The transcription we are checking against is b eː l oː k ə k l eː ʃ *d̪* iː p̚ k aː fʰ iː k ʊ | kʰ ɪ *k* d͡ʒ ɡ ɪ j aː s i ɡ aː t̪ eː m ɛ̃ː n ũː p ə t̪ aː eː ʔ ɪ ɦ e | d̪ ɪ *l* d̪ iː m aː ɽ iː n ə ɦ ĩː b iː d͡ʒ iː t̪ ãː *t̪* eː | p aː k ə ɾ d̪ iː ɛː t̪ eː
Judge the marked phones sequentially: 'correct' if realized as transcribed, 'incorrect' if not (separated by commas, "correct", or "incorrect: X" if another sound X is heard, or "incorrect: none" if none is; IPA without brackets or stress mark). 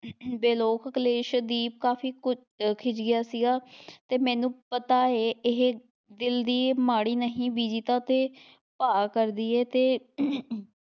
correct, incorrect: none, correct, correct